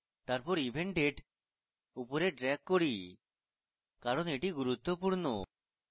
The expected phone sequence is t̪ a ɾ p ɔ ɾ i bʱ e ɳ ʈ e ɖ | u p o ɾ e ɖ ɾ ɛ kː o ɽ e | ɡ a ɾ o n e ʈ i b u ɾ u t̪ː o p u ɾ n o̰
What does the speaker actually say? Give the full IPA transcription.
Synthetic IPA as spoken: t̪ a ɾ p ɔ ɾ i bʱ e ɳ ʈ e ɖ | u p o ɾ e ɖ ɾ ɛ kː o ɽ i | k a ɾ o n e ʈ i ɡ u ɾ u t̪ː o p u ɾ n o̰